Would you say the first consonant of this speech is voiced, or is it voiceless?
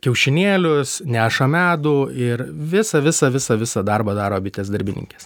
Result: voiceless